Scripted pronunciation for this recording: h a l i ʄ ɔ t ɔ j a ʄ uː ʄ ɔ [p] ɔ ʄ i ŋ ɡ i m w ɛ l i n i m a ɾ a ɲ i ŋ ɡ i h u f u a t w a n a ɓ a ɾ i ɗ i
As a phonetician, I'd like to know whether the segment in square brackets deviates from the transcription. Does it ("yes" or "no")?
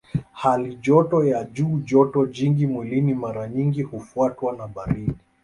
yes